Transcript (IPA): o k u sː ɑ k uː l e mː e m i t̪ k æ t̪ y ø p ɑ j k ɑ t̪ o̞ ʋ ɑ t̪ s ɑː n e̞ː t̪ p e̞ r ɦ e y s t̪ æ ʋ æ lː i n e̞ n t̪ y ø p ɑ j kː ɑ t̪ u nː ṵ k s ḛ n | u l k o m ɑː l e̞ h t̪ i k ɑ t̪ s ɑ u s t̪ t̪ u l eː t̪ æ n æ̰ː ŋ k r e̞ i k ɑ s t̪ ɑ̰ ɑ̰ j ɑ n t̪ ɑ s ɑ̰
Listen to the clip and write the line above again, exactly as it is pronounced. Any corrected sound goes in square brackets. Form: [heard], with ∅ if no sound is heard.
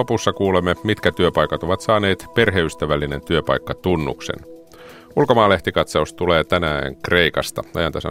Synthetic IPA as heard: o [p] u sː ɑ k uː l e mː e m i t̪ k æ t̪ y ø p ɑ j k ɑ t̪ o̞ ʋ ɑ t̪ s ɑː n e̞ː t̪ p e̞ r ɦ e y s t̪ æ ʋ æ lː i n e̞ n t̪ y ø p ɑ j kː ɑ t̪ u nː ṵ k s ḛ n | u l k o m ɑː l e̞ h t̪ i k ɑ t̪ s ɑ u s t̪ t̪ u l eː t̪ æ n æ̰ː ŋ k r e̞ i k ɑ s t̪ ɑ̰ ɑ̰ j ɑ n t̪ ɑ s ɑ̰